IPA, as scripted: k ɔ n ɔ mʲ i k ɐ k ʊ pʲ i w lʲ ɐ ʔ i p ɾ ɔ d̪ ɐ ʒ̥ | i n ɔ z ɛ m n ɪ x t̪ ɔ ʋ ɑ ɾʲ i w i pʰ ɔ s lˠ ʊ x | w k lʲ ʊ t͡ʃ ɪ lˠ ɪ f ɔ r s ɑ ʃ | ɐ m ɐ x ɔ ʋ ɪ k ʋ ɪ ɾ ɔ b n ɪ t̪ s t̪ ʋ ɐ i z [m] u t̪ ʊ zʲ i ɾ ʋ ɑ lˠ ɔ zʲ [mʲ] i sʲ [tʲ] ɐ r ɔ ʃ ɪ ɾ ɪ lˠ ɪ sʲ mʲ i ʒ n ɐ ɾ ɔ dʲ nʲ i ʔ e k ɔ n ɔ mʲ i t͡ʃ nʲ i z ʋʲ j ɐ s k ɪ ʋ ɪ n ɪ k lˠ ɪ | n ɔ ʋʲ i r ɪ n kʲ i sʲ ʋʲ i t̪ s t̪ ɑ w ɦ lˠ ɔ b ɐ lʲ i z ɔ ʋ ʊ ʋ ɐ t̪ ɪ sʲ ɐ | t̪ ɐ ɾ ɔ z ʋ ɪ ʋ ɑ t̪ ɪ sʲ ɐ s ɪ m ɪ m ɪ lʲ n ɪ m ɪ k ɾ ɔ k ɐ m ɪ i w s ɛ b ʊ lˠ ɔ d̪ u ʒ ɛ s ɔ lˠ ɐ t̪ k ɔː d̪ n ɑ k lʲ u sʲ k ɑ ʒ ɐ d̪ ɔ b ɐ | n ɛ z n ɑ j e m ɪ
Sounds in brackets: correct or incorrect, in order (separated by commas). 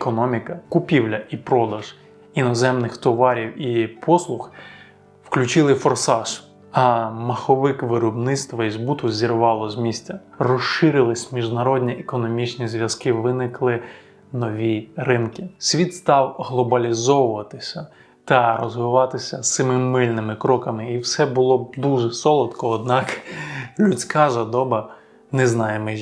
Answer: incorrect, correct, correct